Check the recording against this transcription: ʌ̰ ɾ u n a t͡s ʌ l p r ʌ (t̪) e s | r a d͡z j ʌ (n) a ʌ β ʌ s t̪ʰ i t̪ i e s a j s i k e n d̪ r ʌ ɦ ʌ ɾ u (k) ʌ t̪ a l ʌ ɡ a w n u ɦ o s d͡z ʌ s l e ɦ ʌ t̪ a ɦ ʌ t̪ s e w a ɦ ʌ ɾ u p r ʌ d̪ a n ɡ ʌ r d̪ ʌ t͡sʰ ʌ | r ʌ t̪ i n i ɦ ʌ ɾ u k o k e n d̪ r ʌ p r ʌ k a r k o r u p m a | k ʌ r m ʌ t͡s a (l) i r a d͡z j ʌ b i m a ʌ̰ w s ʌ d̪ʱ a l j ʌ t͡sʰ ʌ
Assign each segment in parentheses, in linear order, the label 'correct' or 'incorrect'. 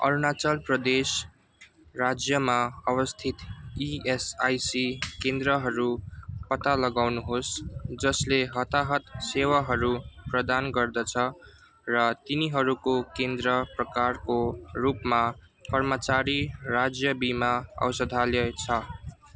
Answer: incorrect, incorrect, incorrect, incorrect

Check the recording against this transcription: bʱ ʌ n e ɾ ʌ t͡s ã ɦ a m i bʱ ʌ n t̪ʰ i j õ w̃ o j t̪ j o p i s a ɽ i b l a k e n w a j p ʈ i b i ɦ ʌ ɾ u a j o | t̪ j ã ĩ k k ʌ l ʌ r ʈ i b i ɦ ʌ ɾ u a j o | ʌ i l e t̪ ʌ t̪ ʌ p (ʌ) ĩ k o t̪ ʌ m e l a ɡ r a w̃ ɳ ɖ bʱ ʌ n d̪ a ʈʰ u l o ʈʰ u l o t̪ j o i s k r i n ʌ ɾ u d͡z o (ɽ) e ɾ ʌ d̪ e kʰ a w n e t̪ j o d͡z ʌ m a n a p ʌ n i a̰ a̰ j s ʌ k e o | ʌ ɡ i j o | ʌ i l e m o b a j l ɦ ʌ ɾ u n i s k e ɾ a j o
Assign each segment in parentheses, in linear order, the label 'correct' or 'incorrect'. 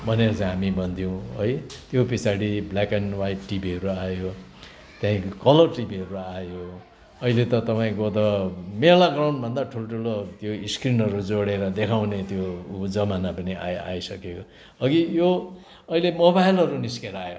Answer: incorrect, correct

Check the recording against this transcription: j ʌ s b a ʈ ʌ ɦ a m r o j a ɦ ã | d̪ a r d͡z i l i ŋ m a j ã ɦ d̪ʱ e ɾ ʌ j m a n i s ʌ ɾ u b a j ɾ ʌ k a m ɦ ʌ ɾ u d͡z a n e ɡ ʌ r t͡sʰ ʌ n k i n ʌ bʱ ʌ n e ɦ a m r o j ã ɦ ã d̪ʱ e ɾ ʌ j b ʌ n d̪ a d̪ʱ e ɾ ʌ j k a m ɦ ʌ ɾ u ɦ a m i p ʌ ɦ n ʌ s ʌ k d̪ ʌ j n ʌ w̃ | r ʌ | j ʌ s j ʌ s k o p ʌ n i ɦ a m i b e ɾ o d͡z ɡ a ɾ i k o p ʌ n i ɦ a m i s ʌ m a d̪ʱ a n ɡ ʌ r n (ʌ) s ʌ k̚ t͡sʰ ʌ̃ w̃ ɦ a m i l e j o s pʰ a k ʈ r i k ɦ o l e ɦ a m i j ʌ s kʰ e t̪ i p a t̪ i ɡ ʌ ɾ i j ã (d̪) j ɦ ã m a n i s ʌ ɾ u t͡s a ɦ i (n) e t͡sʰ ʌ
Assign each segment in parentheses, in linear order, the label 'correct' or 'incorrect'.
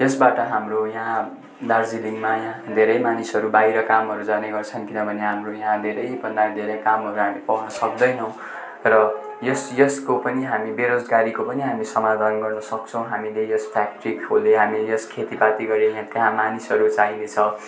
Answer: correct, incorrect, correct

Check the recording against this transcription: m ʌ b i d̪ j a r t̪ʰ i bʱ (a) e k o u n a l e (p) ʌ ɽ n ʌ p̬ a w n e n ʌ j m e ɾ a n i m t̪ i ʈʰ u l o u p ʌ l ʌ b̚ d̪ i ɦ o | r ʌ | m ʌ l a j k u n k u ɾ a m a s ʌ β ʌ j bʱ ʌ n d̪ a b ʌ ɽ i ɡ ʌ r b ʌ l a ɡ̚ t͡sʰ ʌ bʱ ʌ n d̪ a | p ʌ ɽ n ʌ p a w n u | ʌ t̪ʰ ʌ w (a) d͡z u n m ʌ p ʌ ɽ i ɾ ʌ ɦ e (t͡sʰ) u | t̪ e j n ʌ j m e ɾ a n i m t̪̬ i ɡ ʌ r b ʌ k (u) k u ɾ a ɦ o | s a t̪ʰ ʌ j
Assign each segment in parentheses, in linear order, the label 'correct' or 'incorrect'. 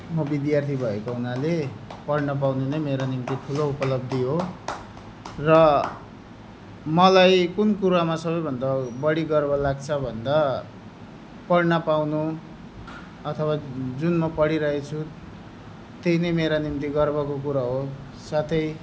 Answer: incorrect, correct, correct, correct, incorrect

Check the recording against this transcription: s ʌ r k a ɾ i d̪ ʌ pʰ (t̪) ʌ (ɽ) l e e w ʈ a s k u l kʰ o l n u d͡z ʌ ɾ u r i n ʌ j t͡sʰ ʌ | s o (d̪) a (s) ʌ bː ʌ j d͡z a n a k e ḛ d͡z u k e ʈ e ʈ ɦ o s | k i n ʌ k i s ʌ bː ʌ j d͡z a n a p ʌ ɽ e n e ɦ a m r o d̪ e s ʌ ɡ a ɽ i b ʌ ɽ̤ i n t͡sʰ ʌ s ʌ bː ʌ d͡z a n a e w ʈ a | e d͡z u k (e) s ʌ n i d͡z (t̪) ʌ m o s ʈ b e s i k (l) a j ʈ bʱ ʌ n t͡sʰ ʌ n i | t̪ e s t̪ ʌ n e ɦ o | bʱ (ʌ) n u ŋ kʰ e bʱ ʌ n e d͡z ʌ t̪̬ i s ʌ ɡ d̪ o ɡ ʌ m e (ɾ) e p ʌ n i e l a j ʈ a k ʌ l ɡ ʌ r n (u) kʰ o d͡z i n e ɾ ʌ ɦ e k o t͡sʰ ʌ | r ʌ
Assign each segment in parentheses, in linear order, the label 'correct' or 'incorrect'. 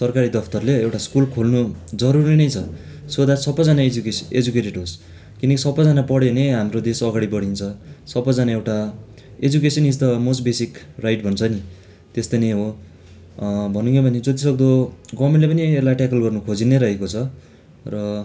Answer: correct, incorrect, correct, correct, correct, correct, incorrect, correct, incorrect, correct

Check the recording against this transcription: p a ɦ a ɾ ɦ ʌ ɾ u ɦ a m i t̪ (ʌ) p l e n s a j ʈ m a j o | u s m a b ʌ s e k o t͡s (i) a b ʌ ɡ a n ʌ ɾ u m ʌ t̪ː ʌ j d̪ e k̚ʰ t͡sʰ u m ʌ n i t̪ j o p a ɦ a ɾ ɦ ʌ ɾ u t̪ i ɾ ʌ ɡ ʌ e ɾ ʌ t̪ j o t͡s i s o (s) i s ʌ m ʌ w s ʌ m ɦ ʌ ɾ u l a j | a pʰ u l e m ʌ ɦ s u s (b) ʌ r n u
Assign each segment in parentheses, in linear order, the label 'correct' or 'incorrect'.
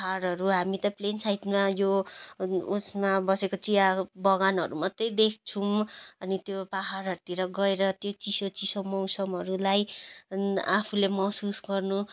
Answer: correct, correct, incorrect, incorrect

